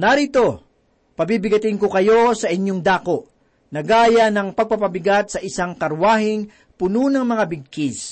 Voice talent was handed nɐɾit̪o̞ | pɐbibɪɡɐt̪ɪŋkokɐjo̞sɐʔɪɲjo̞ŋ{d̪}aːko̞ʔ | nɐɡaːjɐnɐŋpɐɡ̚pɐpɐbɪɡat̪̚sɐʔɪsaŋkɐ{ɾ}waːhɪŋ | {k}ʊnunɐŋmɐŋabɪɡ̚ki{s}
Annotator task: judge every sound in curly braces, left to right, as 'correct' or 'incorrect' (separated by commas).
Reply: correct, correct, incorrect, correct